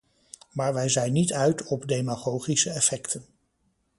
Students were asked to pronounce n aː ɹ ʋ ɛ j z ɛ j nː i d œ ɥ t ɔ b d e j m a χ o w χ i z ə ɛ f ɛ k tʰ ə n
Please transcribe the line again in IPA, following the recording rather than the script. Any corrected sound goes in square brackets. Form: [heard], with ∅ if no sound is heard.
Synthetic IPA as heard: [m] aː ɹ ʋ ɛ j z ɛ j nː i [t] œ ɥ t ɔ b d e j m a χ o w χ i [s] ə ɛ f ɛ k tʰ ə n